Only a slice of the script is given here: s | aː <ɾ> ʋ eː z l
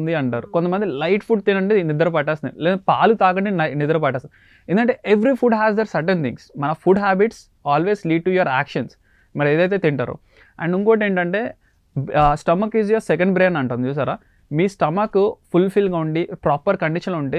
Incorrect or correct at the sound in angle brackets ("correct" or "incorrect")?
incorrect